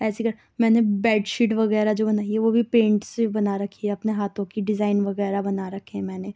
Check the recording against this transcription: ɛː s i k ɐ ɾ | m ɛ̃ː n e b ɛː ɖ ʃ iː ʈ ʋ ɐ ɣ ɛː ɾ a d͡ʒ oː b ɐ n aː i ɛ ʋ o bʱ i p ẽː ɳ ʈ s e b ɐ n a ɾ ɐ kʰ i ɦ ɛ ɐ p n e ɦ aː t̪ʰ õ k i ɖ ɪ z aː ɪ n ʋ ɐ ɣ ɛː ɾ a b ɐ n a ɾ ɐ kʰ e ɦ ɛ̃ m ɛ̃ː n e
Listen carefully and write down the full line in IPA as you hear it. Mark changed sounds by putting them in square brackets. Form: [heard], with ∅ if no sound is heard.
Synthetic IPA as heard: ɛː s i k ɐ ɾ | m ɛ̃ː n e b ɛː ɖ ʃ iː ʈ ʋ ɐ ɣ ɛː ɾ a d͡ʒ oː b ɐ n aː i ɛ ʋ o bʱ i p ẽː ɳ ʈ s e b ɐ n a ɾ ɐ kʰ i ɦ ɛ ɐ p n e ɦ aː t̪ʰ õ k i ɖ ɪ z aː ɪ n ʋ ɐ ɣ ɛː ɾ a b ɐ n a ɾ ɐ kʰ e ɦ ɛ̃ m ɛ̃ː n e